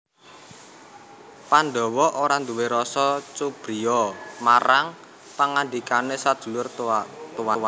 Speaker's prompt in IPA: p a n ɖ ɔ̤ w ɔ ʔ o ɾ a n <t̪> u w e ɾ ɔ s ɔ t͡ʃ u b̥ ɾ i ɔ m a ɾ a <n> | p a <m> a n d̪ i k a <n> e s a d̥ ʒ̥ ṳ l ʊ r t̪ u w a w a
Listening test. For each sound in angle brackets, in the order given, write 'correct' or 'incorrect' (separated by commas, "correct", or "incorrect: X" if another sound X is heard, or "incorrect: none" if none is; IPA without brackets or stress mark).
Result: incorrect: d̪, incorrect: ŋ, incorrect: ŋ, correct